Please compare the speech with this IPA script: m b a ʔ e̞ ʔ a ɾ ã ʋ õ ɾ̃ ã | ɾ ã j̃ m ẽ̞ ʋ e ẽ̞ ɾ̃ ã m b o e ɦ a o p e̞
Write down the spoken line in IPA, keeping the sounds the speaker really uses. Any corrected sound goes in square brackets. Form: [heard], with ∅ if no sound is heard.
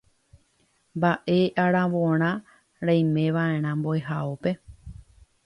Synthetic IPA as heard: m b a ʔ e̞ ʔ a ɾ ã ʋ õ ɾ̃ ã | ɾ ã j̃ m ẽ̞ ʋ [a] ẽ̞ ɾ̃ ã m b o e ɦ a o p e̞